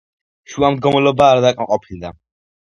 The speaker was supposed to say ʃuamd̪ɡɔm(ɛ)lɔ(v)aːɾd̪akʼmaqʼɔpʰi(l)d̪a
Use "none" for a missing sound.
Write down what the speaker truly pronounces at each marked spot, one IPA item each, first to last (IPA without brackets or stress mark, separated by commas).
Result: ɛ, b, l